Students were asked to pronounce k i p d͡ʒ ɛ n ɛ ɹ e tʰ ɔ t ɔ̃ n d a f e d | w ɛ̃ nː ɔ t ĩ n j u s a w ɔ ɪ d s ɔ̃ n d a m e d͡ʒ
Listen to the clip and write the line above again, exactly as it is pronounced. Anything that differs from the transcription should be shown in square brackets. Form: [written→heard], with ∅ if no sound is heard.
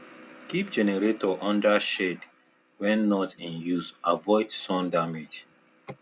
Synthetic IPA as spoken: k i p d͡ʒ ɛ n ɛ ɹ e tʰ ɔ [t→ʔ] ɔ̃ n d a [f→ʃ] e d | w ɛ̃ nː ɔ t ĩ n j u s a [w→v] ɔ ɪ d s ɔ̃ n d a m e d͡ʒ